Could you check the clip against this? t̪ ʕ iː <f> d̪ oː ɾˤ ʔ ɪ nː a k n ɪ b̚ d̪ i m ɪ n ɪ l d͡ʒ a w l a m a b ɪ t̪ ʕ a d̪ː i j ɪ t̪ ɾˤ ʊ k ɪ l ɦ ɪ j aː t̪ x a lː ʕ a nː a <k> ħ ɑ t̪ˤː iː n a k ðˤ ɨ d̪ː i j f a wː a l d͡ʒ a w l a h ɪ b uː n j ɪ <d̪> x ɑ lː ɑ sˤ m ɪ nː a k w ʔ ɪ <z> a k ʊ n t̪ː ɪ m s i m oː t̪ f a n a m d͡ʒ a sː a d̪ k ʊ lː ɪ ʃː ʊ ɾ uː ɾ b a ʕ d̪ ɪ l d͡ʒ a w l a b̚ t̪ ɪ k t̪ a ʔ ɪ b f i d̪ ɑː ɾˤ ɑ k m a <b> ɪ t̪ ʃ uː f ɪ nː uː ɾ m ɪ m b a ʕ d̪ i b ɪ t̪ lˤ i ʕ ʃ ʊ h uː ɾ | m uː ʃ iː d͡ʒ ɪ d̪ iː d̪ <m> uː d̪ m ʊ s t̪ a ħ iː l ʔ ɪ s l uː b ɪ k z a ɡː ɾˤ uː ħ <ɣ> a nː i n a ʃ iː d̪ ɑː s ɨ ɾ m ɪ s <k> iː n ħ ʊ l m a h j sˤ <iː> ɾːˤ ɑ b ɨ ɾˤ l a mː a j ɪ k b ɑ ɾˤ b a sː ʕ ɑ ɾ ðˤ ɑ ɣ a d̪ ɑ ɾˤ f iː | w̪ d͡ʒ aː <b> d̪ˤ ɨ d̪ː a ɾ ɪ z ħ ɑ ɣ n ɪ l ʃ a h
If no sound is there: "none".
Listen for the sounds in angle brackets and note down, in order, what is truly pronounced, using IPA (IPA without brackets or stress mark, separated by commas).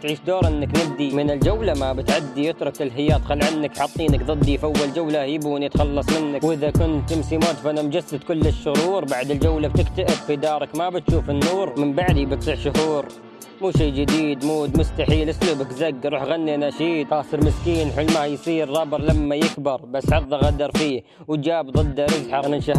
ʃ, k, t̪, ð, b, m, ɣ, k, iː, b